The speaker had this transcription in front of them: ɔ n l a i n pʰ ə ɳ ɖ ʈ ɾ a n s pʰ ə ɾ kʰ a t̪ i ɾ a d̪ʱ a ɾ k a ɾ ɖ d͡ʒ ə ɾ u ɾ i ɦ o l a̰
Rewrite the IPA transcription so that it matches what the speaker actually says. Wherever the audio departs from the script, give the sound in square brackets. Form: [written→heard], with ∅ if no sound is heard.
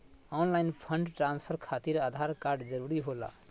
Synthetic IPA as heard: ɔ n l a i n pʰ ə ɳ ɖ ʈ ɾ a n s pʰ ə ɾ kʰ a t̪ i ɾ a d̪ʱ a ɾ k a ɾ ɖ d͡ʒ ə ɾ u ɾ i ɦ o l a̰